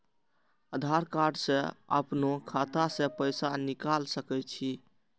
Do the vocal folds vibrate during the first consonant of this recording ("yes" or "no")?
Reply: yes